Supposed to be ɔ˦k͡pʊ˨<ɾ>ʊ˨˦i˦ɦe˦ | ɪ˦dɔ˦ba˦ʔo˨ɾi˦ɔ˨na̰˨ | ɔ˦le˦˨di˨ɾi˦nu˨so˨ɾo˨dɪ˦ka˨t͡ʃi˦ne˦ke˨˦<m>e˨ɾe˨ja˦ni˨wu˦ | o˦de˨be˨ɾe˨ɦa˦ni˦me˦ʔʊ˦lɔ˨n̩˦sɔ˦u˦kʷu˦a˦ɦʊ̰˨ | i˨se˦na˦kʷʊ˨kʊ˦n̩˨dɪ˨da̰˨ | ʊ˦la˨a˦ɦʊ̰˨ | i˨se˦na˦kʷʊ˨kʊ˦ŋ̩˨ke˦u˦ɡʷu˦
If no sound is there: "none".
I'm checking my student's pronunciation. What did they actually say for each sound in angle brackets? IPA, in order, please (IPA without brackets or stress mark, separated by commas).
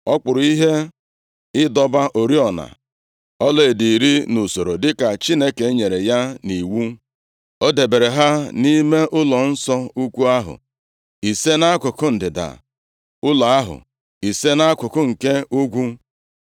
ɾ, ɲ